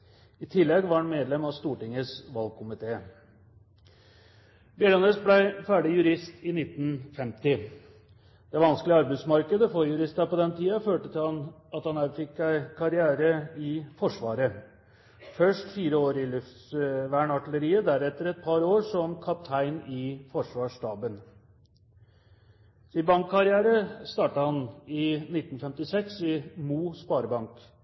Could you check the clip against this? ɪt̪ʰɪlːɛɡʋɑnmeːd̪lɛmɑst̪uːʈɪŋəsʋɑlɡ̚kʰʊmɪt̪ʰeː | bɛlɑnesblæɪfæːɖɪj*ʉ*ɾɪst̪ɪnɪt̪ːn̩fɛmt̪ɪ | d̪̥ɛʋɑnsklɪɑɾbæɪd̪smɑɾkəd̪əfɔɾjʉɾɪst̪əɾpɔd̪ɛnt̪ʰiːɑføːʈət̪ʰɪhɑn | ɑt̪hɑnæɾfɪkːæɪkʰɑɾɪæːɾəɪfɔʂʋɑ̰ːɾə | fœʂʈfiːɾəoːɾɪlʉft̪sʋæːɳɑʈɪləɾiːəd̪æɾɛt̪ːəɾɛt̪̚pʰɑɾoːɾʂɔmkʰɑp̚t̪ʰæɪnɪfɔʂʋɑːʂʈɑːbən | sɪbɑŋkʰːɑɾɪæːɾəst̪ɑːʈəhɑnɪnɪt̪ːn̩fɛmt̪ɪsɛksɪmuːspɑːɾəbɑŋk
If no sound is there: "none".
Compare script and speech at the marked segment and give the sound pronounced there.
ʉ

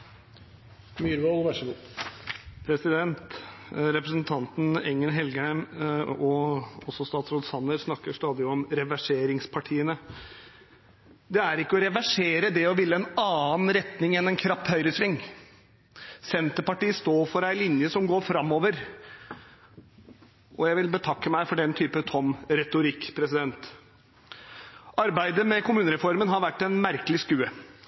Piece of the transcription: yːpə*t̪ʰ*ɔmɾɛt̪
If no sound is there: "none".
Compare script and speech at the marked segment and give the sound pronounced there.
t̪ʰ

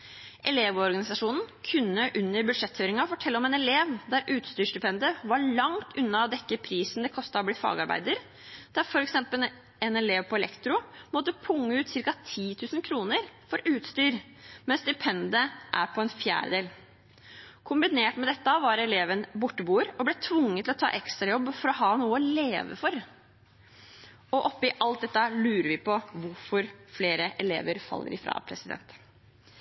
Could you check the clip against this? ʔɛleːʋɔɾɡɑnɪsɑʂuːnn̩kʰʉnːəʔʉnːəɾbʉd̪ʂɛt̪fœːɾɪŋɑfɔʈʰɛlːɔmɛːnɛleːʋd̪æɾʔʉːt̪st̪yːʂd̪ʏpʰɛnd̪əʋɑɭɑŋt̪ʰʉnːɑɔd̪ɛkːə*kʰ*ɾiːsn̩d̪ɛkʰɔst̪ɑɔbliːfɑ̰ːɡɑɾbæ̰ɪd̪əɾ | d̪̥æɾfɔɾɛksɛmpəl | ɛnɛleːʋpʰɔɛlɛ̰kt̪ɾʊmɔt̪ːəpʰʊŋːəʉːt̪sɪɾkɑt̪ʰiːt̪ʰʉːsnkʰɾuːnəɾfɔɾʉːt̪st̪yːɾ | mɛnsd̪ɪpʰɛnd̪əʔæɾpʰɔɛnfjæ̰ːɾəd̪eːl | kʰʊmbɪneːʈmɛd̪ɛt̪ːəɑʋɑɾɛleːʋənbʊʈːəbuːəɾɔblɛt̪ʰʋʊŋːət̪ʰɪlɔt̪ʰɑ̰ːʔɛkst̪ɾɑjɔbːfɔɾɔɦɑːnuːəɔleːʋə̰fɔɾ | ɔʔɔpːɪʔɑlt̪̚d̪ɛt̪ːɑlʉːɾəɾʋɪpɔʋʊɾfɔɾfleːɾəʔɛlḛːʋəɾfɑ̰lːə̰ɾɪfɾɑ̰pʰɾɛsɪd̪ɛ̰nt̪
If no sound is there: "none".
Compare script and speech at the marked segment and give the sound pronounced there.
pʰ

